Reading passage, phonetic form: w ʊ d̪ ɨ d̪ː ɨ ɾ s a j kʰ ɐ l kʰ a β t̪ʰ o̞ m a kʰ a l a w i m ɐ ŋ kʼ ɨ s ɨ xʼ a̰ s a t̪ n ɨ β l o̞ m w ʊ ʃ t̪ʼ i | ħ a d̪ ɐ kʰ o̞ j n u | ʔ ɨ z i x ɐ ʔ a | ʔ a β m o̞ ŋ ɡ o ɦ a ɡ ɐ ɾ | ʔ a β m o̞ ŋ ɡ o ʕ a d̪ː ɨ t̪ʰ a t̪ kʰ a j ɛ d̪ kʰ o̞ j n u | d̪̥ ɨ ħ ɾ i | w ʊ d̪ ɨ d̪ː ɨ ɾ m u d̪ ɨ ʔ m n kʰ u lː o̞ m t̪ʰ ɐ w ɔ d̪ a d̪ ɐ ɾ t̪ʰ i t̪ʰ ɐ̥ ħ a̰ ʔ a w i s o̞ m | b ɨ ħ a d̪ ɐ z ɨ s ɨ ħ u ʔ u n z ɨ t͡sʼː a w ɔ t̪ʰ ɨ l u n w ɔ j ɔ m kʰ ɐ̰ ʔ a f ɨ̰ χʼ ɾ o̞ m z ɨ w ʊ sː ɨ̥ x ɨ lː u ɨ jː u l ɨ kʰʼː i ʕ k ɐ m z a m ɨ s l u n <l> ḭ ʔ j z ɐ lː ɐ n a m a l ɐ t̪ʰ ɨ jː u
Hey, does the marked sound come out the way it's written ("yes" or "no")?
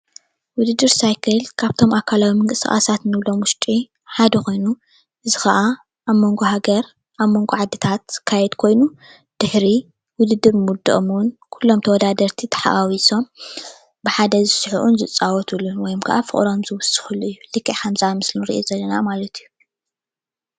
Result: no